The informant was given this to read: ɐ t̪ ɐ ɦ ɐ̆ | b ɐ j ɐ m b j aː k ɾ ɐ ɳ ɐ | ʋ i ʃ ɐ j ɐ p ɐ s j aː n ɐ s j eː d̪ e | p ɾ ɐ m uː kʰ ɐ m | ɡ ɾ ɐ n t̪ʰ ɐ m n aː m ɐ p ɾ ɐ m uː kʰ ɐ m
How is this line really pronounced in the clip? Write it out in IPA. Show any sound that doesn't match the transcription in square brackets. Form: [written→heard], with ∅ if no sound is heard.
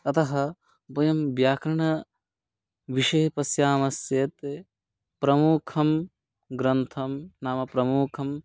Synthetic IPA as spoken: ɐ t̪ ɐ ɦ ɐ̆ | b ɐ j ɐ m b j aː k ɾ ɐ ɳ ɐ | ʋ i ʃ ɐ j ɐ p ɐ s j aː [n→m] ɐ s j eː [d̪→t̪] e | p ɾ ɐ m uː kʰ ɐ m | ɡ ɾ ɐ n t̪ʰ ɐ m n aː m ɐ p ɾ ɐ m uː kʰ ɐ m

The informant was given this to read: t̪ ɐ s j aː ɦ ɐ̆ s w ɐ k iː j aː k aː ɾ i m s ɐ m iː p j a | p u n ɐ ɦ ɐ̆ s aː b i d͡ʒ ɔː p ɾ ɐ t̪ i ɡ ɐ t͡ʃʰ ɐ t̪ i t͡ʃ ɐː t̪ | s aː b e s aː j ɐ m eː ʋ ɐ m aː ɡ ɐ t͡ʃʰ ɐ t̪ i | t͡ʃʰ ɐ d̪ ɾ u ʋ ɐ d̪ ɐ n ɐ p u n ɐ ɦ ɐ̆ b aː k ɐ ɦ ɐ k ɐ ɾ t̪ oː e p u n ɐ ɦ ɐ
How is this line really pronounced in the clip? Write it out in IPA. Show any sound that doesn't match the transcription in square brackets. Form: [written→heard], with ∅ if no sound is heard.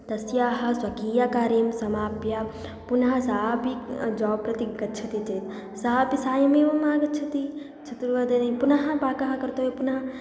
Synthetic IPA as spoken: t̪ ɐ s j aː ɦ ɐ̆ s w ɐ k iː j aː k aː ɾ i m s ɐ m [iː→aː] p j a | p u n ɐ ɦ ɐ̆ s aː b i d͡ʒ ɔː p ɾ ɐ t̪ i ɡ ɐ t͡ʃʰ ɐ t̪ i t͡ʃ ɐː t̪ | s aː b [e→i] s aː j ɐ m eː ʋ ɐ m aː ɡ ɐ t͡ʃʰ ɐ t̪ i | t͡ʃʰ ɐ [d̪→t̪] ɾ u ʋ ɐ d̪ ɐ n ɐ p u n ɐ ɦ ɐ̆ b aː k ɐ ɦ ɐ k ɐ ɾ t̪ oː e p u n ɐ ɦ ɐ

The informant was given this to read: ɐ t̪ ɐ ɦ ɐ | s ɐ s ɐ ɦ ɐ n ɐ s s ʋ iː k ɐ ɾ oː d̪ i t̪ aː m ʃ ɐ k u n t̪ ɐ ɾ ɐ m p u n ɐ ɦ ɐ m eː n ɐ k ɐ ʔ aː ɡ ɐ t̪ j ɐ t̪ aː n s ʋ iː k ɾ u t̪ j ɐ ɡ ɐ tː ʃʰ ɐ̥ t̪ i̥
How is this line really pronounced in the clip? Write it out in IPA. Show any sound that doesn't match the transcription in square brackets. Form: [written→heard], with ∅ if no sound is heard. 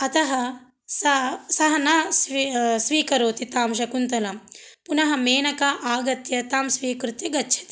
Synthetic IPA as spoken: ɐ t̪ ɐ ɦ ɐ | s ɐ s ɐ ɦ ɐ n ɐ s s ʋ iː k ɐ ɾ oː [d̪→t̪] i t̪ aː m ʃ ɐ k u n t̪ ɐ [ɾ→l] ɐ m p u n ɐ ɦ ɐ m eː n ɐ k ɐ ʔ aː ɡ ɐ t̪ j ɐ t̪ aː [n→m] s ʋ iː k ɾ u t̪ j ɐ ɡ ɐ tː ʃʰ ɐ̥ t̪ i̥

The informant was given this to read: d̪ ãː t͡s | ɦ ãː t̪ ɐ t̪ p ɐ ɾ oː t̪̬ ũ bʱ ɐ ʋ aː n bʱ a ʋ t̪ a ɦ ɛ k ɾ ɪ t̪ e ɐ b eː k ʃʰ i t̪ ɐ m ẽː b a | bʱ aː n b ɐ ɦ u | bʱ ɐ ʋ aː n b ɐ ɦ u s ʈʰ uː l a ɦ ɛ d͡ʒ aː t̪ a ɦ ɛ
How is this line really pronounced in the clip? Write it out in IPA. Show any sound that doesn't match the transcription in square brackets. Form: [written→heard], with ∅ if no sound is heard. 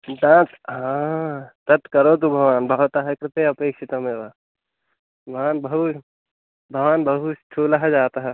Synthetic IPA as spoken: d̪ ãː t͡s | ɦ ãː t̪ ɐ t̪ [p→k] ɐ ɾ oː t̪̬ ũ bʱ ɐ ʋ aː n bʱ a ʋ t̪ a ɦ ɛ k ɾ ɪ t̪ e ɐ [b→p] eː k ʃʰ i t̪ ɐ m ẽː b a | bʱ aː n b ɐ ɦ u | bʱ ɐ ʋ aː n b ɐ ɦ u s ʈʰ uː l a ɦ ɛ d͡ʒ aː t̪ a ɦ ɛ

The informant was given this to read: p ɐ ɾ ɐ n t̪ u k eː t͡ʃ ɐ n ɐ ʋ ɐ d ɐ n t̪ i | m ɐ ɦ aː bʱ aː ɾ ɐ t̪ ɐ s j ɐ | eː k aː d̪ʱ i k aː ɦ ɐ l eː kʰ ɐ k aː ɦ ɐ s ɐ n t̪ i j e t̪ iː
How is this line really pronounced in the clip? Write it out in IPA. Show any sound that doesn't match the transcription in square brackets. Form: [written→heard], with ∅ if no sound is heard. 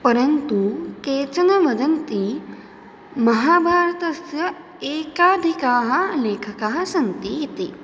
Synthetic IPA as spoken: p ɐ ɾ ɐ n t̪ u k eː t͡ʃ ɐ n ɐ ʋ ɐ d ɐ n t̪ i | m ɐ ɦ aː bʱ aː ɾ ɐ t̪ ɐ s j ɐ | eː k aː d̪ʱ i k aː ɦ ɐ l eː kʰ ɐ k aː ɦ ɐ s ɐ n t̪ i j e t̪ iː

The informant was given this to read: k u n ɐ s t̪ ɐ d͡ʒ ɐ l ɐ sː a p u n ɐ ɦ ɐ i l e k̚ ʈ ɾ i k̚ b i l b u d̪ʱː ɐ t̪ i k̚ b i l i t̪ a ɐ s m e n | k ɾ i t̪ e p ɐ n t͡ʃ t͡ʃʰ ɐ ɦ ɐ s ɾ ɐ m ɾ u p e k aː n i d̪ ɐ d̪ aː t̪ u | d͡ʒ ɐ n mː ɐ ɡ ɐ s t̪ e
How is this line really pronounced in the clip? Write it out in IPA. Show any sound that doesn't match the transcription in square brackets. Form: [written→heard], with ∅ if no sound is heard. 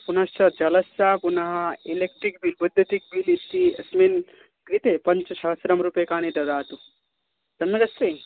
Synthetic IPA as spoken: [k→p] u n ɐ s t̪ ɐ d͡ʒ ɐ l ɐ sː a p u n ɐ ɦ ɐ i l e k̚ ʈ ɾ i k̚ b i l b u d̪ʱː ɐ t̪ i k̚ b i l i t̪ [a→i] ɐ s m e n | k ɾ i t̪ e p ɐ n t͡ʃ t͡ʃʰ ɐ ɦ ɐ s ɾ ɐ m ɾ u p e k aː n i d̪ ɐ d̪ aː t̪ u | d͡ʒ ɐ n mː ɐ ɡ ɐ s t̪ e

